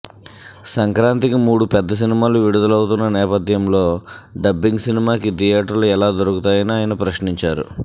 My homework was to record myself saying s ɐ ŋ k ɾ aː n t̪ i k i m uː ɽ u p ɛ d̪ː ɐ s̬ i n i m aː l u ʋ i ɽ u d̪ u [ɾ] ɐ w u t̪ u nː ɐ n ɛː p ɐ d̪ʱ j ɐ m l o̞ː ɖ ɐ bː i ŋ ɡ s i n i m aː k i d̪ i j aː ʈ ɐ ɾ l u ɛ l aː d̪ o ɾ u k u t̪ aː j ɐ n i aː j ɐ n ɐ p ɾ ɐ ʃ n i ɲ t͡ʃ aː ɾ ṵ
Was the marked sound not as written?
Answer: yes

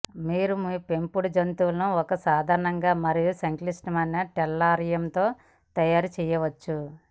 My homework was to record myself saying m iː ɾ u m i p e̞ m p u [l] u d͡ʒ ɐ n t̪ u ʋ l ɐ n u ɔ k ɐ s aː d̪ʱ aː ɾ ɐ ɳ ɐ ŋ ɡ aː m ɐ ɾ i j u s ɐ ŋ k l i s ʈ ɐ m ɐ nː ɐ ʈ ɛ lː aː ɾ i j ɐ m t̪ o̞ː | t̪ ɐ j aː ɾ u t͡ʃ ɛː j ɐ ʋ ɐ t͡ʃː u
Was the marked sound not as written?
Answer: yes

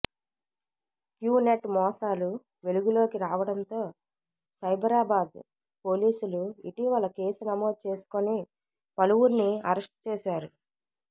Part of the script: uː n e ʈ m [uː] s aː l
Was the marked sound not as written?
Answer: yes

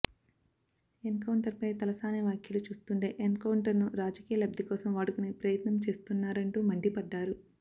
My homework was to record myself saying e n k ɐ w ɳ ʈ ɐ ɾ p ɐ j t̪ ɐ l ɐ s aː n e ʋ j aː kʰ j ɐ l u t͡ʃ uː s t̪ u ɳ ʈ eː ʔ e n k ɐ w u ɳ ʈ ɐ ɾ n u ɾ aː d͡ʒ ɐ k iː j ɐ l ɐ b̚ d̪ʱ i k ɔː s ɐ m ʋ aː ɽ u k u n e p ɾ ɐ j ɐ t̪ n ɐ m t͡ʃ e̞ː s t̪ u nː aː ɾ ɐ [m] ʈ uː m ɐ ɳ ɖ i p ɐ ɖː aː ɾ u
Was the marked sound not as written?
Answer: yes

